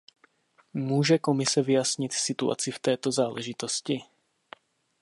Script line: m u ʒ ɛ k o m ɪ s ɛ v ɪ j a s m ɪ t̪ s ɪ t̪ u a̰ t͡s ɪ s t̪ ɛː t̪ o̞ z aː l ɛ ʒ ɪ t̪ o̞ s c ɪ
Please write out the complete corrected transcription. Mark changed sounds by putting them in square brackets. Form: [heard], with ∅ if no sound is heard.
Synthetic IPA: m [uː] ʒ ɛ k o m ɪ s ɛ v ɪ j a s [ɲ] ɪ t̪ s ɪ t̪ u a̰ t͡s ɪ [f] t̪ ɛː t̪ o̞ z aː l ɛ ʒ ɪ t̪ o̞ s c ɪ

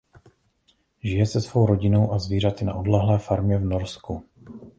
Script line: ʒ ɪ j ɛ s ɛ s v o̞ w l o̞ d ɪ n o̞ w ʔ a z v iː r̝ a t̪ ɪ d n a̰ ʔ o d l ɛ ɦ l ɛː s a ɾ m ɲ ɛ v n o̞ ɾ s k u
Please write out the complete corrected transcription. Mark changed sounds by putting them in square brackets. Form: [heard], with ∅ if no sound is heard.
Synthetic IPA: ʒ ɪ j ɛ s ɛ s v o̞ w [ɾ] o̞ [ɟ] ɪ n o̞ w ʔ a z v iː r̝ a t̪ ɪ [∅] n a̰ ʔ o d l ɛ ɦ l ɛː [f] a ɾ m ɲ ɛ v n o̞ ɾ s k u

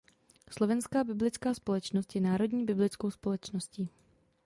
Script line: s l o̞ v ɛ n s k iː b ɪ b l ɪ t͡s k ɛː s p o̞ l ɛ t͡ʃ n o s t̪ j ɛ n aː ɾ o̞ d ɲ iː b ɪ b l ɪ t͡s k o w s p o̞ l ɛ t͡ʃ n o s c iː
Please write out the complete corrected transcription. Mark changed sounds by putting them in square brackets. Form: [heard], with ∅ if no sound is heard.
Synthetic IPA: s l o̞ v ɛ n s k [aː] b ɪ b l ɪ t͡s k [aː] s p o̞ l ɛ t͡ʃ n o s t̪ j ɛ n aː ɾ o̞ d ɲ iː b ɪ b l ɪ t͡s k o w s p o̞ l ɛ t͡ʃ n o s c iː

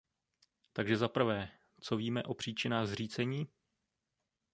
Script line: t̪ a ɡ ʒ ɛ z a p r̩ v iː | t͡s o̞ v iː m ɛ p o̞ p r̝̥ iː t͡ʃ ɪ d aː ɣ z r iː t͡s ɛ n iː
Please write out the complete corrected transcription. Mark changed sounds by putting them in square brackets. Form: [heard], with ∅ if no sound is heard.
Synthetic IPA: t̪ a ɡ ʒ ɛ z a p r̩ v [ɛː] | t͡s o̞ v iː m ɛ [ʔ] o̞ p r̝̥ iː t͡ʃ ɪ [n] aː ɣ z r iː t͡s ɛ [ɲ] iː

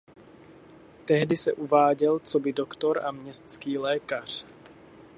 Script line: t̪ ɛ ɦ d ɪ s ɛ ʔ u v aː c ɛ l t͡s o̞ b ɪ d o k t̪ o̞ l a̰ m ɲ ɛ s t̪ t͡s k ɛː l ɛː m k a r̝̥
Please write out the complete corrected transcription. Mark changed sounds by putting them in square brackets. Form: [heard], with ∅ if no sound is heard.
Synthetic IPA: t̪ ɛ ɦ d ɪ s ɛ ʔ u v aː [ɟ] ɛ l t͡s o̞ b ɪ d o k t̪ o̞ [ɾ] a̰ m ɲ ɛ s t̪ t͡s k [iː] l ɛː [∅] k a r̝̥

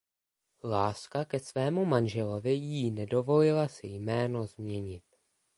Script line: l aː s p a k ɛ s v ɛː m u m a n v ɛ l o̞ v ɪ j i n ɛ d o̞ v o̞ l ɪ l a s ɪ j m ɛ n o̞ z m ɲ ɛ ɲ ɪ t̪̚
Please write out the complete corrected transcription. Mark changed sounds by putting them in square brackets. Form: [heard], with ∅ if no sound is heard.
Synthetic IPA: l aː s [k] a k ɛ s v ɛː m u m a n [ʒ] ɛ l o̞ v ɪ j i n ɛ d o̞ v o̞ l ɪ l a s ɪ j m [ɛː] n o̞ z m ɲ ɛ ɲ ɪ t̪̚

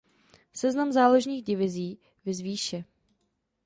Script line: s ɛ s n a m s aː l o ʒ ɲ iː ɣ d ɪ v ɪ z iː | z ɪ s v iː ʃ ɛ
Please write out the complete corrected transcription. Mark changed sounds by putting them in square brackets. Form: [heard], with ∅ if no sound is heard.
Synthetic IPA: s ɛ [z] n a m [z] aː l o ʒ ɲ iː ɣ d ɪ v ɪ z iː | [v] ɪ [z] v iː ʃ ɛ

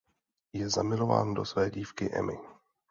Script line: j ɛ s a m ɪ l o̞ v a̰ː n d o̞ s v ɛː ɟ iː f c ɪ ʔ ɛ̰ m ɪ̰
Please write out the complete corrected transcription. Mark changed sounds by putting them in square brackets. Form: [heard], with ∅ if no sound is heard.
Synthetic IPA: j ɛ [z] a m ɪ l o̞ v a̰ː n d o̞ s v ɛː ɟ iː f [k] ɪ ʔ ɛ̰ m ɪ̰

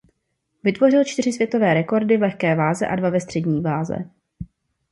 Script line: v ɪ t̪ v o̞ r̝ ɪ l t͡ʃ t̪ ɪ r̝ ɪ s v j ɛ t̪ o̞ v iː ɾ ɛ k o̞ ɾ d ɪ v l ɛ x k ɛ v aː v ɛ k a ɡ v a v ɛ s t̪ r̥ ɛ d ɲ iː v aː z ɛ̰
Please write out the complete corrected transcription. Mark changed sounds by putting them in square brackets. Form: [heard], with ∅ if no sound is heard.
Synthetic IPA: v ɪ t̪ v o̞ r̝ ɪ l t͡ʃ t̪ ɪ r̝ ɪ s v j ɛ t̪ o̞ v [ɛː] ɾ ɛ k o̞ ɾ d ɪ v l ɛ x k [ɛː] v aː [z] ɛ [ʔ] a [d] v a v ɛ s t̪ r̥ ɛ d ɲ iː v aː z ɛ̰

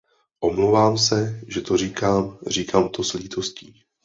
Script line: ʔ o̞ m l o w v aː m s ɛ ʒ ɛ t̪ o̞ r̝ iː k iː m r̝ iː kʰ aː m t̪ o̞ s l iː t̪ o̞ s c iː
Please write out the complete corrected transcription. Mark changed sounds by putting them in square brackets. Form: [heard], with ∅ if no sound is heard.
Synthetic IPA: ʔ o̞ m l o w v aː m s ɛ ʒ ɛ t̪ o̞ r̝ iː k [aː] m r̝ iː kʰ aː m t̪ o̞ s l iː t̪ o̞ s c iː

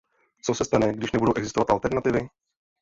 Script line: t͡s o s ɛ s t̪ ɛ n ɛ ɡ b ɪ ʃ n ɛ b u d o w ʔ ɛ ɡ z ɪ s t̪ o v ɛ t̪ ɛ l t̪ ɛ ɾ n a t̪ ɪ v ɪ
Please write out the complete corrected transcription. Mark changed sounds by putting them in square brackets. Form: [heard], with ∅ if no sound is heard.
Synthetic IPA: t͡s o s ɛ s t̪ [a] n ɛ ɡ [d] ɪ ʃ n ɛ b u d o w ʔ ɛ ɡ z ɪ s t̪ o v [a] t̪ [a] l t̪ ɛ ɾ n a t̪ ɪ v ɪ

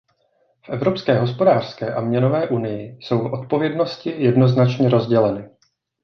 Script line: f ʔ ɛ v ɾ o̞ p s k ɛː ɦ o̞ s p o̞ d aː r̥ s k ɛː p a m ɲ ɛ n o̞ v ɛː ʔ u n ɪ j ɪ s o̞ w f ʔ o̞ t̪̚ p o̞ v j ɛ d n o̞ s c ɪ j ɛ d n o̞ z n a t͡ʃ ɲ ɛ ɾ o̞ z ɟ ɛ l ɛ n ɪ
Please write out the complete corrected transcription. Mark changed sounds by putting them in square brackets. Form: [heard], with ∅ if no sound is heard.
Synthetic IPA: f ʔ ɛ v ɾ o̞ p s k ɛː ɦ o̞ s p o̞ d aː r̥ s k ɛː [ʔ] a m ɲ ɛ n o̞ v ɛː ʔ u n ɪ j ɪ s o̞ w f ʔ o̞ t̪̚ p o̞ v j ɛ d n o̞ s c ɪ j ɛ d n o̞ z n a t͡ʃ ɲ ɛ ɾ o̞ z ɟ ɛ l ɛ n ɪ

